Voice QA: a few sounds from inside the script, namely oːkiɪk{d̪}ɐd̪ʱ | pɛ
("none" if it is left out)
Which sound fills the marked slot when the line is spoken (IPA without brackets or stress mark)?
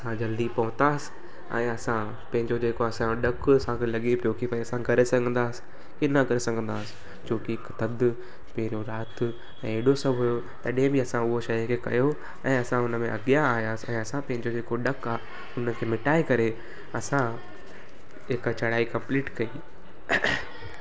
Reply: t̪